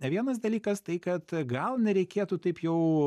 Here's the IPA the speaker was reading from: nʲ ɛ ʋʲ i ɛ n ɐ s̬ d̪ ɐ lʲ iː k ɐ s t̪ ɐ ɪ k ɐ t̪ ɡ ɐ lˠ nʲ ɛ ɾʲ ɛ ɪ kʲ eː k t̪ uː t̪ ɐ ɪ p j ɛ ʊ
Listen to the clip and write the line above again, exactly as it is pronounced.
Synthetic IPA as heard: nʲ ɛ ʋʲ i ɛ n ɐ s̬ d̪ ɐ lʲ iː k ɐ s t̪ ɐ ɪ k ɐ t̪ ɡ ɐ lˠ nʲ ɛ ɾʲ ɛ ɪ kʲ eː t̪ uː t̪ ɐ ɪ p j ɛ ʊ